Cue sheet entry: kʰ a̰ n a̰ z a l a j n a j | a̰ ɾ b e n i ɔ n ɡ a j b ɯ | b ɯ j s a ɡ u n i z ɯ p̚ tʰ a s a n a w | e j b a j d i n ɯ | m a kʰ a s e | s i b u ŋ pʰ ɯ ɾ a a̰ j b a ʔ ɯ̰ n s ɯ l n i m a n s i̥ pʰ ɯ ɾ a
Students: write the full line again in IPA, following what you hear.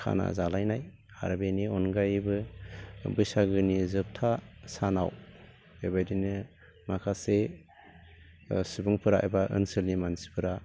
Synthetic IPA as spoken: kʰ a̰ n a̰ z a l a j n a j | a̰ ɾ b e n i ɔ n ɡ a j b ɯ | b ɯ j s a ɡ ɯ n i z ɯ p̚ tʰ a s a n a w | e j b a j d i n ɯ | m a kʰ a s e | s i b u ŋ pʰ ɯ ɾ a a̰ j b a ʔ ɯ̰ n s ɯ l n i m a n s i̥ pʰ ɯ ɾ a